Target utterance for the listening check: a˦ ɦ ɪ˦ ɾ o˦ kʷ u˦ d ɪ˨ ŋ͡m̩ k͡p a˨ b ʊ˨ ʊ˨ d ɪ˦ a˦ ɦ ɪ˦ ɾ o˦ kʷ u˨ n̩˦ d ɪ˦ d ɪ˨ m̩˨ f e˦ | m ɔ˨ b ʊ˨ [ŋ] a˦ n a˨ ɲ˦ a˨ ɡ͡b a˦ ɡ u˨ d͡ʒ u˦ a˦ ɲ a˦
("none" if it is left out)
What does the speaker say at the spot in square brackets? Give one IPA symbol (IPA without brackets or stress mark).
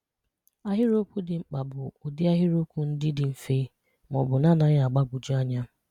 n